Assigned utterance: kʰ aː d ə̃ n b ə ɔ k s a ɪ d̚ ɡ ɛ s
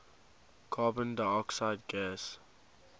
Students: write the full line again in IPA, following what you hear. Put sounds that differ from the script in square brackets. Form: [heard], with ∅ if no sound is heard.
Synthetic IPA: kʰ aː [b] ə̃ n [d] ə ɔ k s a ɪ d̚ ɡ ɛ s